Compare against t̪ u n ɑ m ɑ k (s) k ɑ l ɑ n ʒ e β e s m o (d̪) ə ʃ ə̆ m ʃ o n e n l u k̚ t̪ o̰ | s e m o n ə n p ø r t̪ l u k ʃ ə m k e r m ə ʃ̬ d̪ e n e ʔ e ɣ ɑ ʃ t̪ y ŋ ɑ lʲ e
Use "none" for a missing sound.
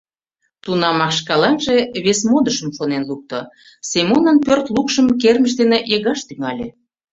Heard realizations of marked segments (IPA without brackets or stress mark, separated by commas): ʃ, d̪